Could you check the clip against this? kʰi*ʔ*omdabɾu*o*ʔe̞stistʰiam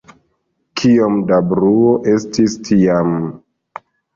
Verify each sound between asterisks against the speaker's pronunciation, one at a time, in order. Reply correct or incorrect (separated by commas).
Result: incorrect, correct